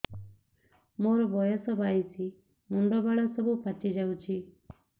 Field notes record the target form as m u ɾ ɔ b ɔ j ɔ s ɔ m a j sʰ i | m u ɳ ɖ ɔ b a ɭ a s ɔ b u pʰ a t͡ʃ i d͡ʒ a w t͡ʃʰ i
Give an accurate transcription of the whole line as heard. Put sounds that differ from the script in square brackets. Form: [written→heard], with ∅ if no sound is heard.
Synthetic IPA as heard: m [u→o] ɾ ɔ b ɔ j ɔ s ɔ [m→b] a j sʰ i | m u ɳ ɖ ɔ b a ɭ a s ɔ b u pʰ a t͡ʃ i d͡ʒ a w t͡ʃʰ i

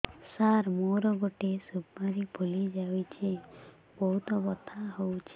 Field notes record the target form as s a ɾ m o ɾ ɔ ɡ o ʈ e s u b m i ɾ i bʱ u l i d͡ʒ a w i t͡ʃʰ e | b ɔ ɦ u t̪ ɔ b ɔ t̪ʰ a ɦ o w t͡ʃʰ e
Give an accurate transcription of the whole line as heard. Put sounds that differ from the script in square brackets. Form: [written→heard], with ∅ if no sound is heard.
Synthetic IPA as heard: s a ɾ m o ɾ ɔ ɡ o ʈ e s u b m [i→a] ɾ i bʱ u l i d͡ʒ a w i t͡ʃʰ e | b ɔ ɦ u t̪ ɔ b ɔ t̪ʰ a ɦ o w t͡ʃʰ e

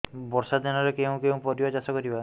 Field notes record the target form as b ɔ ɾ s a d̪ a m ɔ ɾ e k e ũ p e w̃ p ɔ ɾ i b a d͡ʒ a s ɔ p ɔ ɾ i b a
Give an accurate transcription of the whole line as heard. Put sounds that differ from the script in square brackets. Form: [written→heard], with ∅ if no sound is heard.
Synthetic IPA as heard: b ɔ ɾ s a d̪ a [m→n] ɔ ɾ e k e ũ [p→k] e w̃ p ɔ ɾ i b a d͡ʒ a s ɔ [p→k] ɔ ɾ i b a

